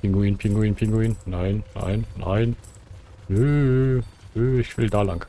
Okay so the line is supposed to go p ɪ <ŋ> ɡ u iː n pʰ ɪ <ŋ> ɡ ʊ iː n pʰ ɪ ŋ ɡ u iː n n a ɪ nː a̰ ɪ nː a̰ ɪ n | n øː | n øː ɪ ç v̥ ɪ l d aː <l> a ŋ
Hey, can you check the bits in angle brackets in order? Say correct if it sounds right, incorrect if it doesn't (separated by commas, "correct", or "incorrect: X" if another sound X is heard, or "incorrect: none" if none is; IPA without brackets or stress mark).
correct, correct, correct